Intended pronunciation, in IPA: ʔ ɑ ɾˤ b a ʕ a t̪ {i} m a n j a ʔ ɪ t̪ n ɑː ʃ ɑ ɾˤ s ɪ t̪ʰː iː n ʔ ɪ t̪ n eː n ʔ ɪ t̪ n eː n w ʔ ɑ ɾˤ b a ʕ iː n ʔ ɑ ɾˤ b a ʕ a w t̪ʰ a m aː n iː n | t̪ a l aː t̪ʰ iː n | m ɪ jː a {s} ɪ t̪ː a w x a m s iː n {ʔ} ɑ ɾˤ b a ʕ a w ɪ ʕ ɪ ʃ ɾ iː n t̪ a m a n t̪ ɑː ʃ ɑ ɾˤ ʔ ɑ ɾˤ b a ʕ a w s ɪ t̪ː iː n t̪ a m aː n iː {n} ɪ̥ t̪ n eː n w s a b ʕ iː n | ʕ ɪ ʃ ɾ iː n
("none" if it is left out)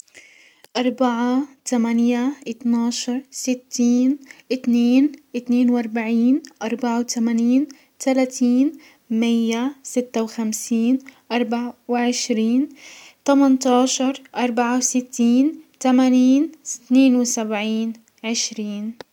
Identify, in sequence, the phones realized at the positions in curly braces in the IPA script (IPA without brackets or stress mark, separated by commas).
a, s, ʔ, n